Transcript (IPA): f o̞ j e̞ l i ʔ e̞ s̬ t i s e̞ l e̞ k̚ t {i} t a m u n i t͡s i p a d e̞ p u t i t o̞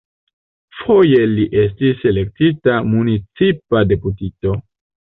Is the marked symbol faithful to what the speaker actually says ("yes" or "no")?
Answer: yes